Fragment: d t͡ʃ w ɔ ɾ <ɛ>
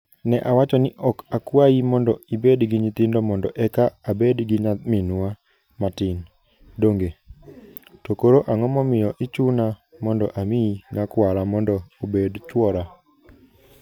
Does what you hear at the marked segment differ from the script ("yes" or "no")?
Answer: yes